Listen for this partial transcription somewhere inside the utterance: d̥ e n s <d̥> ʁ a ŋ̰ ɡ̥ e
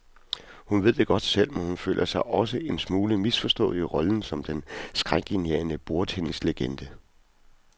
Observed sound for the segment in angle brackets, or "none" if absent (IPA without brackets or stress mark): ɡ̥